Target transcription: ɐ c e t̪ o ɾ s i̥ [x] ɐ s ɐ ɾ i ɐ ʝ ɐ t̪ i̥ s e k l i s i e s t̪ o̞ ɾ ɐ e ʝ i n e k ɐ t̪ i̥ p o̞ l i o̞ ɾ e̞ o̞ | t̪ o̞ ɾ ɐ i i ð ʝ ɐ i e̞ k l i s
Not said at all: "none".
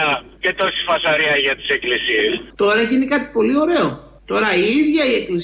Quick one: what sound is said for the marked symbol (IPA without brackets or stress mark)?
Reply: f